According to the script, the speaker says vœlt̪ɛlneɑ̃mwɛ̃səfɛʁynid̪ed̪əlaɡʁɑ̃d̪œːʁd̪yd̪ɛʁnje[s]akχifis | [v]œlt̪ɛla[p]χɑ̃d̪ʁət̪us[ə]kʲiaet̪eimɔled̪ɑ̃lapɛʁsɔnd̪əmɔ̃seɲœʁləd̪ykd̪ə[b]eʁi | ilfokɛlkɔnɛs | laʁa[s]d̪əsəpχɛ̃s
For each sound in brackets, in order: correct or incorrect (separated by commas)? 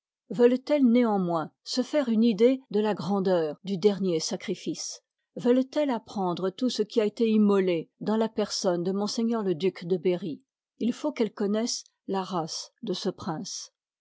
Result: correct, correct, correct, correct, correct, correct